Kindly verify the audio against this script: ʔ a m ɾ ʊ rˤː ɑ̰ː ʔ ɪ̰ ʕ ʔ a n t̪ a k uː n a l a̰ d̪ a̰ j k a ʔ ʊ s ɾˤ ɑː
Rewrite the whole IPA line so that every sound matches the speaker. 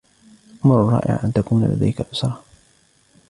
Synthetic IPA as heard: ʔ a m ɾ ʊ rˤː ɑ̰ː ʔ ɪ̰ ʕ ʔ a n t̪ a k uː n a l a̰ d̪ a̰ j k a ʔ ʊ s ɾˤ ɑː